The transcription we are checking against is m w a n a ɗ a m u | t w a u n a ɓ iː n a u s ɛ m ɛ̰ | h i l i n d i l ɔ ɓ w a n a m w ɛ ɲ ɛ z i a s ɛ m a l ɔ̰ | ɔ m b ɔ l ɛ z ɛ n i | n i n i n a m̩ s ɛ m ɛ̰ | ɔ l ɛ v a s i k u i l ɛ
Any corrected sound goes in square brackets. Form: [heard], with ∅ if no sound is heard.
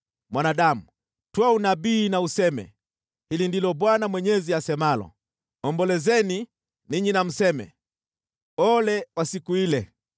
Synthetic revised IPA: m w a n a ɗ a m u | t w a u n a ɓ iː n a u s ɛ m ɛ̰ | h i l i n d i l ɔ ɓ w a n a m w ɛ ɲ ɛ z i a s ɛ m a l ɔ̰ | ɔ m b ɔ l ɛ z ɛ n i | n i [ɲ] i n a m̩ s ɛ m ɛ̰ | ɔ l ɛ [w] a s i k u i l ɛ

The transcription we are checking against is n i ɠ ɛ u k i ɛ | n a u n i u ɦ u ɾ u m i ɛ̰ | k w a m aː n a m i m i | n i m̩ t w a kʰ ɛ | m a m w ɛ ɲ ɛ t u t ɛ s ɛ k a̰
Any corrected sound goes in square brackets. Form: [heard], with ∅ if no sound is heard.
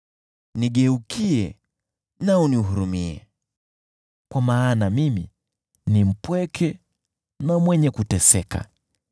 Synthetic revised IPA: n i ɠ ɛ u k i ɛ | n a u n i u ɦ u ɾ u m i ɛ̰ | k w a m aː n a m i m i | n i m̩ [p] w [ɛ] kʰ ɛ | [n] a m w ɛ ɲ ɛ [k] u t ɛ s ɛ k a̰

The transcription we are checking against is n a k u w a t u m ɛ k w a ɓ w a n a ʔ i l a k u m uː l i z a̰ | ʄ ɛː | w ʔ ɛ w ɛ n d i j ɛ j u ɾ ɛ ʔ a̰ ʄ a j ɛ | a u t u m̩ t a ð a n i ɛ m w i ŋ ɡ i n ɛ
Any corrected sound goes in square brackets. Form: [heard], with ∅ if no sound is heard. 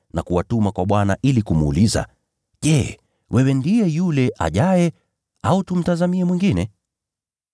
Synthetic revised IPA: n a k u w a t u m [a] k w a ɓ w a n a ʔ i l [i] k u m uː l i z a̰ | ʄ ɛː | w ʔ ɛ w ɛ n d i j ɛ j u [l] ɛ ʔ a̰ ʄ a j ɛ | a u t u m̩ t a [z] a [m] i ɛ m w i ŋ ɡ i n ɛ

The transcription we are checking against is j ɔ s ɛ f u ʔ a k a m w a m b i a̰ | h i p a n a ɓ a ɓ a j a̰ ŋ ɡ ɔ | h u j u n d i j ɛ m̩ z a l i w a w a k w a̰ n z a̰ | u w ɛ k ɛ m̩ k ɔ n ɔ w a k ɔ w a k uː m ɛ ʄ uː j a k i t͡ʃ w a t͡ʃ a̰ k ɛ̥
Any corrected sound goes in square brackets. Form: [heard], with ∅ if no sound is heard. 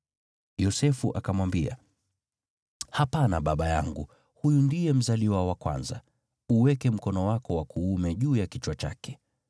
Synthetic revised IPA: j ɔ s ɛ f u ʔ a k a m w a m b i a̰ | h [a] p a n a ɓ a ɓ a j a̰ ŋ ɡ [u] | h u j u n d i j ɛ m̩ z a l i w a w a k w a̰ n z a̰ | u w ɛ k ɛ m̩ k ɔ n ɔ w a k ɔ w a k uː m ɛ ʄ uː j a k i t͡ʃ w a t͡ʃ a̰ k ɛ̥

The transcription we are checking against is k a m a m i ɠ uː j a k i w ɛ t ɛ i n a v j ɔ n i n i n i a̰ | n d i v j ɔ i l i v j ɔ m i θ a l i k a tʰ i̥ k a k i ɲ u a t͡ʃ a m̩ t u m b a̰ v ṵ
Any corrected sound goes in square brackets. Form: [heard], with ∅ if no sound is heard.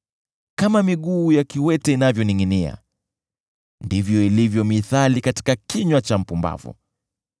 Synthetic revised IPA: k a m a m i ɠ uː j a k i w ɛ t ɛ i n a v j ɔ n i [ŋ] i n i a̰ | n d i v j ɔ i l i v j ɔ m i θ a l i k a [t] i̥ k a k i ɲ [w] a t͡ʃ a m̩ [p] u m b a̰ v ṵ

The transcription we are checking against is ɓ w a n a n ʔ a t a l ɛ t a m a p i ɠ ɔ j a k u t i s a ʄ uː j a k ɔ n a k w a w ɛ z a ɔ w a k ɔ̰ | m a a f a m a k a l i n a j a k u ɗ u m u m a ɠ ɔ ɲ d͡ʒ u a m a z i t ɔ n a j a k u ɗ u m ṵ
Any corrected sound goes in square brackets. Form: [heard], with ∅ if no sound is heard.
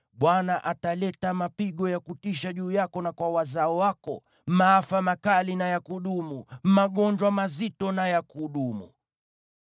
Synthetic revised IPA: ɓ w a n a [∅] ʔ a t a l ɛ t a m a p i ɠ ɔ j a k u t i [ʃ] a ʄ uː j a k ɔ n a k w a w [a] z a ɔ w a k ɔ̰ | m a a f a m a k a l i n a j a k u ɗ u m u m a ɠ ɔ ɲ d͡ʒ [w] a m a z i t ɔ n a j a k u ɗ u m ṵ

